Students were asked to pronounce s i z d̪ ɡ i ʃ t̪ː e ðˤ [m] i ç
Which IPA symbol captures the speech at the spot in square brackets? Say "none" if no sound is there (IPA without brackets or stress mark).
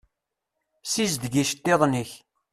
n